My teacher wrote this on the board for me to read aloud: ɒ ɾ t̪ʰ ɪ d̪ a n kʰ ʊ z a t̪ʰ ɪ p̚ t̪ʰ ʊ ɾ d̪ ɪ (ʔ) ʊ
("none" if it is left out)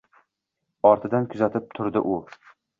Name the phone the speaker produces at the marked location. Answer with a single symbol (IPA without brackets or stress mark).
ʔ